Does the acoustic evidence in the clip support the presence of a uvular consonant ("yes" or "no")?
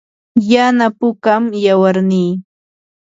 no